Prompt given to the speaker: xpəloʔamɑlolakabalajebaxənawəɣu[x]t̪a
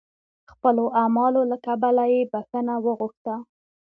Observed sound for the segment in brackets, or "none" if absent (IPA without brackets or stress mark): x